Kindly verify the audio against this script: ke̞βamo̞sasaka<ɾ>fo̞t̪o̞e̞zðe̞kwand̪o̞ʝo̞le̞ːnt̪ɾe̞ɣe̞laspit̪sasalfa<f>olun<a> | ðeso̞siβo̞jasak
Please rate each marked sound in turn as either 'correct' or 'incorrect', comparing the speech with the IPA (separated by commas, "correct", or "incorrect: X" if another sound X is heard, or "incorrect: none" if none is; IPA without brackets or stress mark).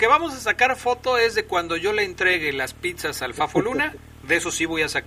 correct, correct, correct